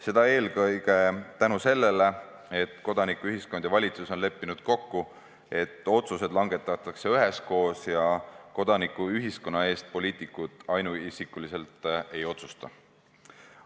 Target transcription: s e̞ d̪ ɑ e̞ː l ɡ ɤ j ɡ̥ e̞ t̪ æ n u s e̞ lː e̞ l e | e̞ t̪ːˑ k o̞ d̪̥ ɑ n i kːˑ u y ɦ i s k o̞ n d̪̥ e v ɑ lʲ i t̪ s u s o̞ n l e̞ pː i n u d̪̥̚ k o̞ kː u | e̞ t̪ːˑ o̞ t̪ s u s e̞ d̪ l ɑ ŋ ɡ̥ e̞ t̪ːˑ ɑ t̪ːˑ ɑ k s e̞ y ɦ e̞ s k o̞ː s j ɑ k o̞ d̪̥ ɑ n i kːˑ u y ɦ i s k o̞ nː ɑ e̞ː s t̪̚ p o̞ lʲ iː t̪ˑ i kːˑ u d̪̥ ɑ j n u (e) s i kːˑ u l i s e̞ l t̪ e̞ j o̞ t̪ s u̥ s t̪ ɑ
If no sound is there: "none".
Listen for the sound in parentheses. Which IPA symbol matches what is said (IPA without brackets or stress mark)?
i